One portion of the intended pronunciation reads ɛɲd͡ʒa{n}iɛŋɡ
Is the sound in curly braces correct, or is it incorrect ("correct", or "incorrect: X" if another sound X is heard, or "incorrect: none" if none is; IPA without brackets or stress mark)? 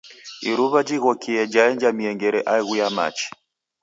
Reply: incorrect: m